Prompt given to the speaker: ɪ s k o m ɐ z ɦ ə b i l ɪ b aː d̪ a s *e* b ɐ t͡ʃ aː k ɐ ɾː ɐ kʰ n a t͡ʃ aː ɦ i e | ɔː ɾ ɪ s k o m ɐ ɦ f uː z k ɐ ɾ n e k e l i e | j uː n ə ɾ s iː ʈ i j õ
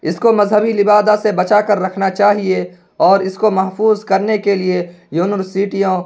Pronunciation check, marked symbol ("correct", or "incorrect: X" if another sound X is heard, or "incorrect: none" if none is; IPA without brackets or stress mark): correct